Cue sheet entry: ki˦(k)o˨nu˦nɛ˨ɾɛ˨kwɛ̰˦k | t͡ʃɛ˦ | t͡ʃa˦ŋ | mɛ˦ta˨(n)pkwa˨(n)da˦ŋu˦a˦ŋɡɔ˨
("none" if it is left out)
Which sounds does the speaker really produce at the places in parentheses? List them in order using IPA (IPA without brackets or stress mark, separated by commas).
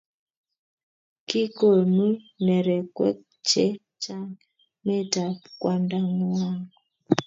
k, none, n